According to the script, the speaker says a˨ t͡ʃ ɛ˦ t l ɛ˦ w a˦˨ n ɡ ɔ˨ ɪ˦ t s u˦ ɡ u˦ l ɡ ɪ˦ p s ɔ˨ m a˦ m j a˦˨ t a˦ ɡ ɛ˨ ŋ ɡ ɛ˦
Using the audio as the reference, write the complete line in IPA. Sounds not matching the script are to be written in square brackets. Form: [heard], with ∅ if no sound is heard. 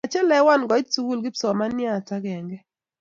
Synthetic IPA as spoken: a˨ t͡ʃ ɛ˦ [∅] l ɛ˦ w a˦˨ n ɡ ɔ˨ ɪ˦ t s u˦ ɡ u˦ l ɡ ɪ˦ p s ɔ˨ m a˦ [n] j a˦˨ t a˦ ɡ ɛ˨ ŋ ɡ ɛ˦